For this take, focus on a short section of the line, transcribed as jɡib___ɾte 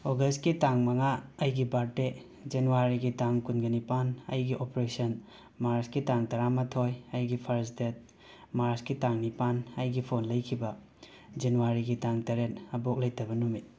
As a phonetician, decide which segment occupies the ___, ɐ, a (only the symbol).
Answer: a